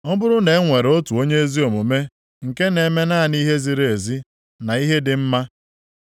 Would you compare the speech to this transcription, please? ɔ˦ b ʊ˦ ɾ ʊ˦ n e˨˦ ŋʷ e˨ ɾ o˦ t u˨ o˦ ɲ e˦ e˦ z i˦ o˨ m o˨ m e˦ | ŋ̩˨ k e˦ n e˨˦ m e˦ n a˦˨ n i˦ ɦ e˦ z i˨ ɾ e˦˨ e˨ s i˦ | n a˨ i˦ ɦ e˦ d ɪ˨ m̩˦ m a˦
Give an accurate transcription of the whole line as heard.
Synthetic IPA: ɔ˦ b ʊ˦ ɾ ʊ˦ n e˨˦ ŋʷ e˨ ɾ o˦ t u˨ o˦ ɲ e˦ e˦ z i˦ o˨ m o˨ m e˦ | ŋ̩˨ k e˦ n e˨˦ m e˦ n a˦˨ n i˦ ɦ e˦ z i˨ ɾ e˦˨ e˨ z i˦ | n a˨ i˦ ɦ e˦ d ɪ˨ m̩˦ m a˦